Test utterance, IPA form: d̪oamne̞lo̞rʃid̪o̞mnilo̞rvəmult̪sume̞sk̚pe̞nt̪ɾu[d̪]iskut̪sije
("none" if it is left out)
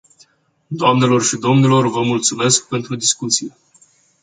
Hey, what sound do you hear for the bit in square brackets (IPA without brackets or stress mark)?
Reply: d̪